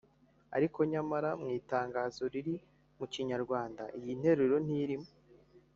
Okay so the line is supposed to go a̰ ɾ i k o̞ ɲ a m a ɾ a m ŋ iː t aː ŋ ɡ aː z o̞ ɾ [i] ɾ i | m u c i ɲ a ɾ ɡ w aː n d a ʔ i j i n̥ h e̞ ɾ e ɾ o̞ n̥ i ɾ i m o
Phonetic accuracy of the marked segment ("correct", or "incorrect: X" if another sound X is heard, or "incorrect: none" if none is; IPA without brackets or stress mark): correct